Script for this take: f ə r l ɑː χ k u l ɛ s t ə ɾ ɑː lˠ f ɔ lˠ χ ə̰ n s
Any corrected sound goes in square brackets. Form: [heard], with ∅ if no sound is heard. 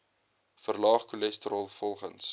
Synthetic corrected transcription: f ə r l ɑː χ k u l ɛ s t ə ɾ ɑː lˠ f ɔ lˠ χ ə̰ n s